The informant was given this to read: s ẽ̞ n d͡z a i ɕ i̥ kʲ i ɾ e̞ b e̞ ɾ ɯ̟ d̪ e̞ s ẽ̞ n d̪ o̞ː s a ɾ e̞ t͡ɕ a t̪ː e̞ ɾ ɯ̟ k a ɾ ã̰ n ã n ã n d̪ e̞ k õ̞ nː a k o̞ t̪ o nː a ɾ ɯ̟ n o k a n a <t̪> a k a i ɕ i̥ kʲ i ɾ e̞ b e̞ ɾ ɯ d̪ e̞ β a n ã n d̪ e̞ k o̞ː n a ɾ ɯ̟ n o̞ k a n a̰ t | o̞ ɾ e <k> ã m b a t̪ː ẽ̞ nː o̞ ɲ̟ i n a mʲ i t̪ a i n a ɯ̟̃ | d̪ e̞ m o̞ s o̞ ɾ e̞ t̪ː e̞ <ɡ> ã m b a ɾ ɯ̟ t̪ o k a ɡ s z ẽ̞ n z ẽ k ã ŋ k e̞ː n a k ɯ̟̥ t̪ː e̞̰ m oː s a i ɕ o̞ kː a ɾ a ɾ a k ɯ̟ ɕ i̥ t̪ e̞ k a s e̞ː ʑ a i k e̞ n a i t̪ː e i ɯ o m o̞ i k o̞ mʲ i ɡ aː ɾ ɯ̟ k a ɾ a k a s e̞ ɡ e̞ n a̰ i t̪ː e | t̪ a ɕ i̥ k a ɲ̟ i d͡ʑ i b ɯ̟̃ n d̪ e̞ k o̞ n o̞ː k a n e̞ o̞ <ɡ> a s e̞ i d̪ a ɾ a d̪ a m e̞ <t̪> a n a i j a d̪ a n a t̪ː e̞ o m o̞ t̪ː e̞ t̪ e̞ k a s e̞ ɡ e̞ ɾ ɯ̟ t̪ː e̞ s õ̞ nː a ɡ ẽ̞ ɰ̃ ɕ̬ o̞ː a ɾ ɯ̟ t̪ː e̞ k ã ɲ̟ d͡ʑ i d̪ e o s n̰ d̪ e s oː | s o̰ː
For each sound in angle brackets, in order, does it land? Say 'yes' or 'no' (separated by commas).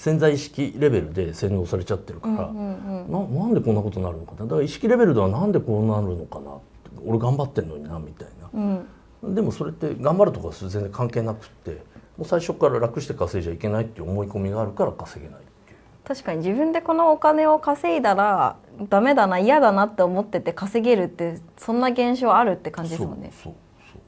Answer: no, no, yes, no, no